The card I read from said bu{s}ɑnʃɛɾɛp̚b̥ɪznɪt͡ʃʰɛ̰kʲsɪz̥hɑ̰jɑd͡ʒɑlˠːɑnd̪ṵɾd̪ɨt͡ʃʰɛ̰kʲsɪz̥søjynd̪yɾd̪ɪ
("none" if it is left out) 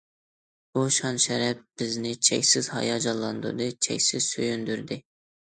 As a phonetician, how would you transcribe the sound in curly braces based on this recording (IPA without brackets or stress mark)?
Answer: ʃ